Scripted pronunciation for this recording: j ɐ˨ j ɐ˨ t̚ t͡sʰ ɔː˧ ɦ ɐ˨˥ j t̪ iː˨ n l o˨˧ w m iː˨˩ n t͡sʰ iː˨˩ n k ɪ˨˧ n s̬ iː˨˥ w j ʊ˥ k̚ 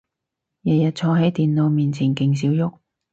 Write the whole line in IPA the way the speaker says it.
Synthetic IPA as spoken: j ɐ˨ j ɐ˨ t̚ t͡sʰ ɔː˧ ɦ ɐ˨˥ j t̪ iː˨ n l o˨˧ w m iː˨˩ n t͡sʰ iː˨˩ n k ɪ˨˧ ŋ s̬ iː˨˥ w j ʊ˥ k̚